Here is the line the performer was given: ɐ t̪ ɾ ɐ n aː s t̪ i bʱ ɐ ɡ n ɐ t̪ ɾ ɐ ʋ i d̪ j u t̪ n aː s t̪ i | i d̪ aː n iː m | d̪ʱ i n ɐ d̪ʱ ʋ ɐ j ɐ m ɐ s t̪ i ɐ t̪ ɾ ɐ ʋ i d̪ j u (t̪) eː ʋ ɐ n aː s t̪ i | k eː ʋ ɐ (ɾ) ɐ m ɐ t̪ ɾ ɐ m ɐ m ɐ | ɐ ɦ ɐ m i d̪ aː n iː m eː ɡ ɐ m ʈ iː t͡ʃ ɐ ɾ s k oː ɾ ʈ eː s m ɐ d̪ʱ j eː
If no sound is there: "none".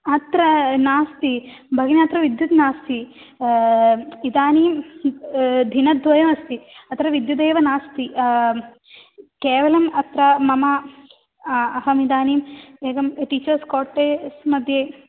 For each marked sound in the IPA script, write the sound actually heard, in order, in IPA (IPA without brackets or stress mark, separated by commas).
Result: d̪, l